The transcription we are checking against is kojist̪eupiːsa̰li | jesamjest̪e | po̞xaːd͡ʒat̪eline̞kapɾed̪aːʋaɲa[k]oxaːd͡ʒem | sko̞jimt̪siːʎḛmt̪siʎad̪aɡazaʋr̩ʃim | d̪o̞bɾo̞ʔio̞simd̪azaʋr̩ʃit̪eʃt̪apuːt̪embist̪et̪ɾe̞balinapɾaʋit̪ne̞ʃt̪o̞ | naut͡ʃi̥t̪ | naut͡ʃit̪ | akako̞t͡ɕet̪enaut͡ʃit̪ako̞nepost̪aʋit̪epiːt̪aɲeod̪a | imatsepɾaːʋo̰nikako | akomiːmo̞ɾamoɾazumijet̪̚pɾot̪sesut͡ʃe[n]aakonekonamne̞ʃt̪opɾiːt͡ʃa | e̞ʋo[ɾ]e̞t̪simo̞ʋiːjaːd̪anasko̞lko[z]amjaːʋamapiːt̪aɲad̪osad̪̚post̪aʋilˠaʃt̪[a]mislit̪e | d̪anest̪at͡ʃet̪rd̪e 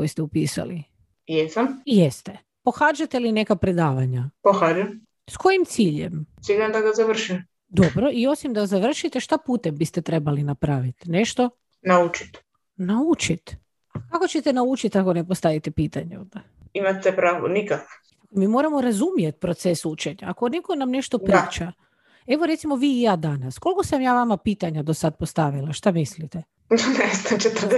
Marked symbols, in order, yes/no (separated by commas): no, no, yes, no, yes